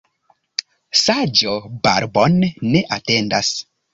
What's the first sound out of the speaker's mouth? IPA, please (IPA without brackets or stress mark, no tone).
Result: s